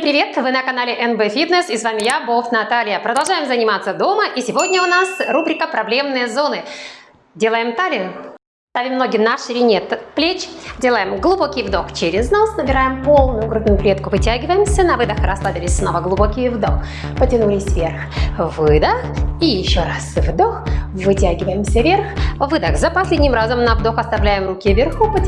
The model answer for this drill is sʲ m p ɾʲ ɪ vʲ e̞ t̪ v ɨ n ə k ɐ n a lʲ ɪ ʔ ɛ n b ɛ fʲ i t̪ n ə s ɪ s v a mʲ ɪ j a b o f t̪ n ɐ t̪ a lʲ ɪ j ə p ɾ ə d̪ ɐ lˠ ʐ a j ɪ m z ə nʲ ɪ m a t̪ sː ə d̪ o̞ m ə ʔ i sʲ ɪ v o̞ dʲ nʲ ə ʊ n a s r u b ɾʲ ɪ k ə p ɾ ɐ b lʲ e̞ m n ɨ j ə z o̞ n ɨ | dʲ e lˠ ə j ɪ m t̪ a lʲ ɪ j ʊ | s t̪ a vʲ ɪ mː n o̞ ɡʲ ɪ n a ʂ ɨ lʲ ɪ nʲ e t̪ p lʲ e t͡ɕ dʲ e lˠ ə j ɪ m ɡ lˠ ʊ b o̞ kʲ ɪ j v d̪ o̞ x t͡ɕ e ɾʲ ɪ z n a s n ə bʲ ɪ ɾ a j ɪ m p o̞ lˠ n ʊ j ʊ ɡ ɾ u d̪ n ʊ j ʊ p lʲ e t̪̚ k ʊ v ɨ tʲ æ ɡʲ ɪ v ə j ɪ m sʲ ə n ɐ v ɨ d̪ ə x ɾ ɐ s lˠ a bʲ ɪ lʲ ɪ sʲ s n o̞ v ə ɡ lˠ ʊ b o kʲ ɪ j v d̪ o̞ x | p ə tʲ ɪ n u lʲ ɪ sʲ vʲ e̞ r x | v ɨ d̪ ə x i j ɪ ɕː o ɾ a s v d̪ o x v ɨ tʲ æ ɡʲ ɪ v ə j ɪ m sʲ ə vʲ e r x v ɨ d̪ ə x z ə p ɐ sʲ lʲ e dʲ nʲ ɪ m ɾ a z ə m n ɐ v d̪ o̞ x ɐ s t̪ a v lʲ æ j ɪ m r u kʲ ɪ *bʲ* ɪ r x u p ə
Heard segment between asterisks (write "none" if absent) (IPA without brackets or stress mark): vʲ